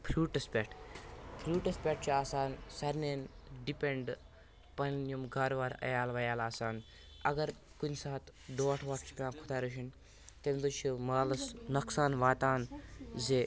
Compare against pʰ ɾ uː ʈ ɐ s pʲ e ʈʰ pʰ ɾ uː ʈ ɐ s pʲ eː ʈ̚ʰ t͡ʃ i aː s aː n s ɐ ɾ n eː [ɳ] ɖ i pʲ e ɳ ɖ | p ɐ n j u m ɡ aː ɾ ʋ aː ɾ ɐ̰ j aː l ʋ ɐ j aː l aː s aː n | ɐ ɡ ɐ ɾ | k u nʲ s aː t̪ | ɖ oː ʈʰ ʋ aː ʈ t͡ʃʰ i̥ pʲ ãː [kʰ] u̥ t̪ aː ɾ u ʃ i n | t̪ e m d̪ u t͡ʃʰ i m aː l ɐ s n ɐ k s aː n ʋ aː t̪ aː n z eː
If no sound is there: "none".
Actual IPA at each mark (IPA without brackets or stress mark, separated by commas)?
n, kʰ